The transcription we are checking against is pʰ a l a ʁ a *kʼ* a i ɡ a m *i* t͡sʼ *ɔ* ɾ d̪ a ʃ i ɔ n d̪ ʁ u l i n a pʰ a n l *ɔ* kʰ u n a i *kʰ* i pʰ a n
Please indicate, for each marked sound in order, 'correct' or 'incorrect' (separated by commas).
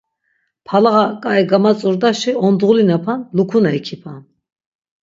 correct, incorrect, incorrect, incorrect, correct